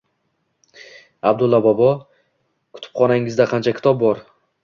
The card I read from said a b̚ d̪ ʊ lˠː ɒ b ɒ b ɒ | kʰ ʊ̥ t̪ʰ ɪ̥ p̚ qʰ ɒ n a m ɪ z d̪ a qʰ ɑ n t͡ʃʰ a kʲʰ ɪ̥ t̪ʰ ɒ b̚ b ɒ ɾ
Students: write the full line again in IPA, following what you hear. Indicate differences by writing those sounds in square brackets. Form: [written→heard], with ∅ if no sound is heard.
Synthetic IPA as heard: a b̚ d̪ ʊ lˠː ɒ b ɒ b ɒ | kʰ ʊ̥ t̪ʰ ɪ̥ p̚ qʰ ɒ n a [m→ŋ] ɪ z d̪ a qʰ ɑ n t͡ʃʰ a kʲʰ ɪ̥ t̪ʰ ɒ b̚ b ɒ ɾ